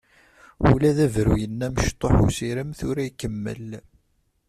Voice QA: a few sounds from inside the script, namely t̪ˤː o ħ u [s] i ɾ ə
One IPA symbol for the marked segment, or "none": s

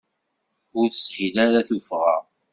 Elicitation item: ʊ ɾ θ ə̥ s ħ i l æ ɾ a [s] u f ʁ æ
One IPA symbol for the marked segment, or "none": θ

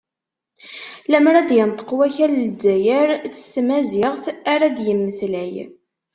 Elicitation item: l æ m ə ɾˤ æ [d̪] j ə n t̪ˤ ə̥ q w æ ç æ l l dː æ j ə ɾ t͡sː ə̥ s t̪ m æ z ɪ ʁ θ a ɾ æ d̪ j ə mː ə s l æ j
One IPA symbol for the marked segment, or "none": d̪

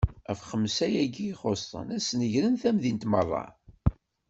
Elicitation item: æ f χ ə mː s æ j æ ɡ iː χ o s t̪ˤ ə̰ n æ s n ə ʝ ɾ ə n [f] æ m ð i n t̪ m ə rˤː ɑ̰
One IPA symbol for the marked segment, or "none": θ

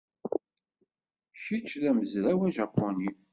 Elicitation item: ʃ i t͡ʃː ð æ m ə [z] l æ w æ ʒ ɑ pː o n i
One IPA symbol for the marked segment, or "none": z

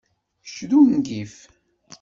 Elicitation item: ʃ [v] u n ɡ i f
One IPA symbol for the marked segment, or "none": ð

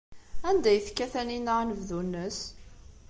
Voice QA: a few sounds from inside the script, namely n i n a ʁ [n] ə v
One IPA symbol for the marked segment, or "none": n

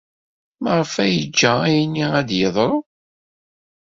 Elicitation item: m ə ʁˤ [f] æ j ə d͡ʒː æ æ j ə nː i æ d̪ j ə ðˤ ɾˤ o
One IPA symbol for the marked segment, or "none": f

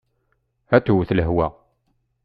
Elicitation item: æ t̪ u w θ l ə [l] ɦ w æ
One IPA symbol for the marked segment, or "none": none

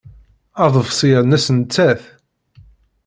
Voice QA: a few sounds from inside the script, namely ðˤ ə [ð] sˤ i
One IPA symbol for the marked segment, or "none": v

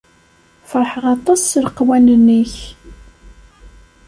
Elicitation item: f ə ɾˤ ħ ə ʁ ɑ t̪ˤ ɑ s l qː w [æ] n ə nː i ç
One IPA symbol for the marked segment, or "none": æ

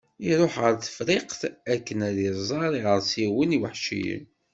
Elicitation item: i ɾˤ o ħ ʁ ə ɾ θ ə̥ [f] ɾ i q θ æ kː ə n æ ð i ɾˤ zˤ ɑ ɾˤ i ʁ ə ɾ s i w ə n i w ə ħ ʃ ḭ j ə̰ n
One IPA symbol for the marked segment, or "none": f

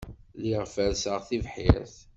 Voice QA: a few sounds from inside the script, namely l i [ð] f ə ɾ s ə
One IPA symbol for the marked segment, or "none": ʁ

